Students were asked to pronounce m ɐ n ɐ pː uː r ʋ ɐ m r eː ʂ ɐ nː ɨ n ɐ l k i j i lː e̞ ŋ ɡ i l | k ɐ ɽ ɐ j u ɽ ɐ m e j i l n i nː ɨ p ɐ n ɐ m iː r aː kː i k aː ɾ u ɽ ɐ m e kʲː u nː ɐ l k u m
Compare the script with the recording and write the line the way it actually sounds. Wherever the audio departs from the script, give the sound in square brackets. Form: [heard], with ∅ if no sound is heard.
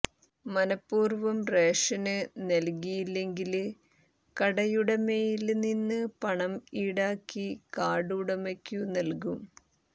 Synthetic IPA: m ɐ n ɐ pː uː r ʋ ɐ m r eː ʂ ɐ [n] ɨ n ɐ l k i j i lː e̞ ŋ ɡ i l | k ɐ ɽ ɐ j u ɽ ɐ m e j i l n i nː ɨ p ɐ [ɳ] ɐ m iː [ɽ] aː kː i k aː [ɽ] u ɽ ɐ m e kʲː u [n] ɐ l k u m